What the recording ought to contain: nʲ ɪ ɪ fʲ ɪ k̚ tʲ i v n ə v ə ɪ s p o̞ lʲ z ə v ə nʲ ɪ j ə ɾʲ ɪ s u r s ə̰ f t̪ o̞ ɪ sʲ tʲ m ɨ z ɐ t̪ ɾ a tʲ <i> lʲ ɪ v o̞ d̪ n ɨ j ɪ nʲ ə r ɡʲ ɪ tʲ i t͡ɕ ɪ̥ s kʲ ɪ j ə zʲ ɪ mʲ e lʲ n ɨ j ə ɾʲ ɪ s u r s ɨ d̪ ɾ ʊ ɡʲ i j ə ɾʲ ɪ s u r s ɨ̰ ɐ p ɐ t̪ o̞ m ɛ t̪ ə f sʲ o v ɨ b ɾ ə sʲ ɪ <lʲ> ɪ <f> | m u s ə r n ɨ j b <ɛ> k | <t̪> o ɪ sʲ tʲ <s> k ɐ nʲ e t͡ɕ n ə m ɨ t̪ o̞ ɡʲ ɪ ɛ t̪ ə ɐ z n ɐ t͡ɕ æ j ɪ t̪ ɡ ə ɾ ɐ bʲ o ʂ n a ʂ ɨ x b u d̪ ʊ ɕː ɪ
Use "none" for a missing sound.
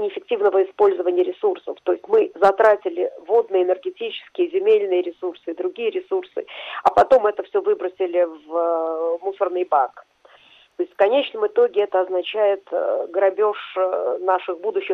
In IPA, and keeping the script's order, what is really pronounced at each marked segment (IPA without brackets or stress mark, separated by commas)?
ɪ, lʲ, v, a, t̪, f